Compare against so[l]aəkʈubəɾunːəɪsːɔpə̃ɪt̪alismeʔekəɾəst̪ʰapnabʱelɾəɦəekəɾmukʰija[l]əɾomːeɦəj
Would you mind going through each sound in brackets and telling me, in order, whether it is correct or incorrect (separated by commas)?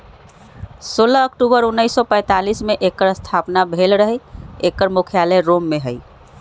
correct, correct